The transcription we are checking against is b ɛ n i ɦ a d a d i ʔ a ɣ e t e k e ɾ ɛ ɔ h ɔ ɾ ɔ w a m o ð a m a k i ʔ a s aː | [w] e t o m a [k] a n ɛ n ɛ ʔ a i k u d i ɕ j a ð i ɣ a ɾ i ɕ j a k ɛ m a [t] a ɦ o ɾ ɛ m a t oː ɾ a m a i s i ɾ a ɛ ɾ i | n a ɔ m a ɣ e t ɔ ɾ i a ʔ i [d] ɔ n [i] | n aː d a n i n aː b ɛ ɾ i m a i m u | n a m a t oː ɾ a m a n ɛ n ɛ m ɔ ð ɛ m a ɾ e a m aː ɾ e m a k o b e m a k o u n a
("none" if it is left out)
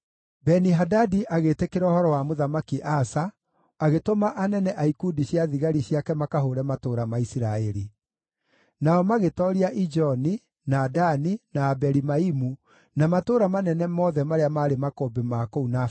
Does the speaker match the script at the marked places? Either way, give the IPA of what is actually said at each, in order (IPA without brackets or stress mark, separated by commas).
ɣ, ʔ, k, d͡ʒ, i